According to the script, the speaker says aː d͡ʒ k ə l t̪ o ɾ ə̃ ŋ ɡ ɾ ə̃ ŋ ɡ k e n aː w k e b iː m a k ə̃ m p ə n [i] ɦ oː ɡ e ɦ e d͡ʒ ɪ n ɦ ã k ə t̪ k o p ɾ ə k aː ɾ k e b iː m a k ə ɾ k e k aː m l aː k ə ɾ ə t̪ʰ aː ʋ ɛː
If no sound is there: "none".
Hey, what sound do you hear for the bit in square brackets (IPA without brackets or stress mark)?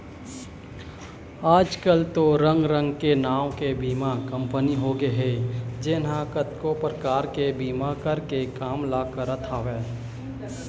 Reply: i